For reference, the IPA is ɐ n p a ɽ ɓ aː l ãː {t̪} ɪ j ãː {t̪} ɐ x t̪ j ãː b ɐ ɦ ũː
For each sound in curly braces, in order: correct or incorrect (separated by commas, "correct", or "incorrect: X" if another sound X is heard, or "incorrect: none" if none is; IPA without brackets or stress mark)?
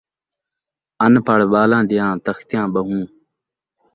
incorrect: d̪, correct